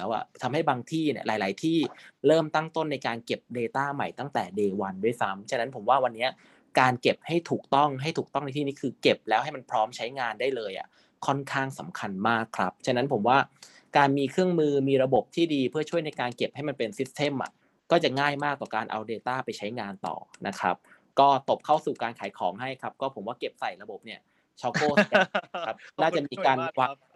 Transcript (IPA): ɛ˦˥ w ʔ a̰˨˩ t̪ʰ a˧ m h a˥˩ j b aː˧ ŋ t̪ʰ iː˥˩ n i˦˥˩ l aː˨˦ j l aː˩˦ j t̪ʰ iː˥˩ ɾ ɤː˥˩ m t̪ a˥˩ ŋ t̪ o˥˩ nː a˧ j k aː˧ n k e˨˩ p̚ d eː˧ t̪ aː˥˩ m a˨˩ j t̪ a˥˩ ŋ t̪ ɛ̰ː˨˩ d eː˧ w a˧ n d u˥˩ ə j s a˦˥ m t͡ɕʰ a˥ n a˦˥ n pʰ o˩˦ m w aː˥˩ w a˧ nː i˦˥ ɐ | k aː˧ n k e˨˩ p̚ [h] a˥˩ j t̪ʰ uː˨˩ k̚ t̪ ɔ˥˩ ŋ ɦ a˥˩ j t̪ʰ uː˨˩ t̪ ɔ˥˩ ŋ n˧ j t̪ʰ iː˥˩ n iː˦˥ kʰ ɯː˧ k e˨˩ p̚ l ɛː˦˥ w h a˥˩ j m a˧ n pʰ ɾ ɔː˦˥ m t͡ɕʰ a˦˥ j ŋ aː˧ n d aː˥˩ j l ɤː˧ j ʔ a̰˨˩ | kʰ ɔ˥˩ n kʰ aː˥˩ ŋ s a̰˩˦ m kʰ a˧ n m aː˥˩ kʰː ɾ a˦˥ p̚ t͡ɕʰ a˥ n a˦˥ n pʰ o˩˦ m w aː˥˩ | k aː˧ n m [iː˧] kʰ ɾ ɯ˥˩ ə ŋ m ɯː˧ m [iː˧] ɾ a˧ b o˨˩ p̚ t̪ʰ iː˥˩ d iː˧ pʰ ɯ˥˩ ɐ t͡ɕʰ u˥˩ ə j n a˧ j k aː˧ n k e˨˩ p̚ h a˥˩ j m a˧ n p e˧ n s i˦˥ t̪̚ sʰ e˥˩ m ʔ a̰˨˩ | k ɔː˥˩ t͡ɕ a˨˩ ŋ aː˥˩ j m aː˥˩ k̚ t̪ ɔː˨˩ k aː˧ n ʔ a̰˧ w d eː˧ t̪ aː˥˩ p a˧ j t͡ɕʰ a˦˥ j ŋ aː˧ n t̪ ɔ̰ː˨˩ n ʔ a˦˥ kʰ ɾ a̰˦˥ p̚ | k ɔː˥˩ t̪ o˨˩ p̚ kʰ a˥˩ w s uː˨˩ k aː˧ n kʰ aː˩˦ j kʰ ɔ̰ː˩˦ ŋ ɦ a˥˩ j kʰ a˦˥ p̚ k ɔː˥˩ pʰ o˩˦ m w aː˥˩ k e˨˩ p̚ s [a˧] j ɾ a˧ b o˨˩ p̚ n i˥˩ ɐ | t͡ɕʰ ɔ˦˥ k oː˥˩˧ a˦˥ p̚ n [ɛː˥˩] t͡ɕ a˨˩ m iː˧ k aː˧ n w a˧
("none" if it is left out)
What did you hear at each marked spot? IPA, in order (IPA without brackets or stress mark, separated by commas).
h, iː˧, iː˧, a˨˩, aː˥˩